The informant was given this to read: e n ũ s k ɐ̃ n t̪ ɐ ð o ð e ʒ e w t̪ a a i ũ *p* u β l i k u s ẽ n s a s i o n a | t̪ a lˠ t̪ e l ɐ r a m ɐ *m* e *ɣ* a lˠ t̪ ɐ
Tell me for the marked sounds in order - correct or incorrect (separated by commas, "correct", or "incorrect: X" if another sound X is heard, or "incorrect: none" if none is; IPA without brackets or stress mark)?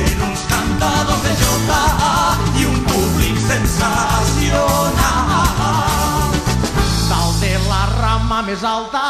correct, correct, incorrect: z